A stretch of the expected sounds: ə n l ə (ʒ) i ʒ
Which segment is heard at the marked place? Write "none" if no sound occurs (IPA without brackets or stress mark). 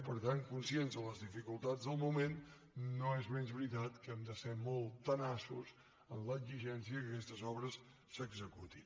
z